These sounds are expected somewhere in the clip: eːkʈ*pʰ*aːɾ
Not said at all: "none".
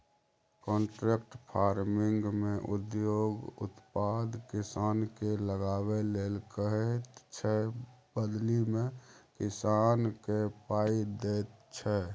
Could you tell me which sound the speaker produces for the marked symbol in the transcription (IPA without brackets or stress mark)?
pʰ